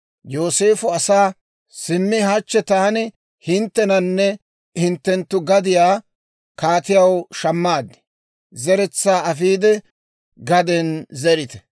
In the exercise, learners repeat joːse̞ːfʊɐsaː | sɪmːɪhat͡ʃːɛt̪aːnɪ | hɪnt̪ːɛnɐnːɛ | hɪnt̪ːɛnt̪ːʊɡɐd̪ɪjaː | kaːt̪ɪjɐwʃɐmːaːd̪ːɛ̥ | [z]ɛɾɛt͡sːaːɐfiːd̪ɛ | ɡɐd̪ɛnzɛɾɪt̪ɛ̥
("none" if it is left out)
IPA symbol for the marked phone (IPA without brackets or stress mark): z